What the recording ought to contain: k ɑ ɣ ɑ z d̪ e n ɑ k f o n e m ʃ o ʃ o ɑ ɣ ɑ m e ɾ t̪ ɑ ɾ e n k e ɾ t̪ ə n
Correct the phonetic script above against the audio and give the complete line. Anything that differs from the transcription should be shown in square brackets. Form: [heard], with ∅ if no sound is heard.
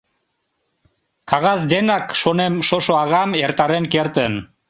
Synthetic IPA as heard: k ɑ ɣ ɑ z d̪ e n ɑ k [ʃ] o n e m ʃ o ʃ o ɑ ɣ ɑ m e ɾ t̪ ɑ ɾ e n k e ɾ t̪ ə n